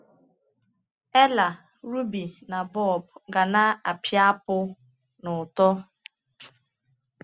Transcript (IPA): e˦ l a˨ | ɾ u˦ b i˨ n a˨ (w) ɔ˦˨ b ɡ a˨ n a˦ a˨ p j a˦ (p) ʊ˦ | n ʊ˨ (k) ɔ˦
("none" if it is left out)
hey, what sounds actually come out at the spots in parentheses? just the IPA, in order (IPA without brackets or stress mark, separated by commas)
b, p, t